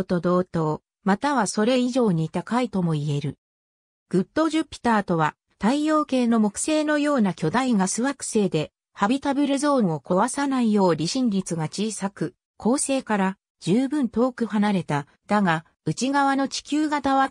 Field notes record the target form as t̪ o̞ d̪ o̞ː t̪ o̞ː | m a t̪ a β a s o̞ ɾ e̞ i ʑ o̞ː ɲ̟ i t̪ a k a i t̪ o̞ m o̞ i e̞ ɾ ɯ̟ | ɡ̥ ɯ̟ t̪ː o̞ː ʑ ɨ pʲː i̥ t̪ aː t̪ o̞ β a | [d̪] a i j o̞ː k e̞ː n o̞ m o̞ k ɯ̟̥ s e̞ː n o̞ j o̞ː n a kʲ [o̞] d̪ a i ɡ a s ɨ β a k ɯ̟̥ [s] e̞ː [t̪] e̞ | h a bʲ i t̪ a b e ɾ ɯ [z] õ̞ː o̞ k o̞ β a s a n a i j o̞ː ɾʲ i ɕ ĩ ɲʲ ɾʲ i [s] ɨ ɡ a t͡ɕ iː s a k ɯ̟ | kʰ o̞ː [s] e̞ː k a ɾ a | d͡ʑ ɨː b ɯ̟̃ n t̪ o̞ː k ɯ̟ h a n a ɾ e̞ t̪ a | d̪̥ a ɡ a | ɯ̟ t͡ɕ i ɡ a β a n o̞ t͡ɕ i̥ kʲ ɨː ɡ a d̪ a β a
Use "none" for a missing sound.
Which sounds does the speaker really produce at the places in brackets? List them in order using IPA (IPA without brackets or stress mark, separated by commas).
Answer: t̪, o̞, s, d̪, z, t͡s, s